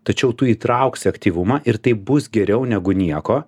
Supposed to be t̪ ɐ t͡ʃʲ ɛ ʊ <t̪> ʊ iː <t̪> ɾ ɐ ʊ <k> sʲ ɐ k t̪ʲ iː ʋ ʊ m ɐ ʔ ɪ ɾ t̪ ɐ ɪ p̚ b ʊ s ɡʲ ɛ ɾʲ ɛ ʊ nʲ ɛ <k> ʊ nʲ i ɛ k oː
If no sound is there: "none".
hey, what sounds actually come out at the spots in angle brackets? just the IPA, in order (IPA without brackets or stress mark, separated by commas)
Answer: t̪, t̪, k, ɡ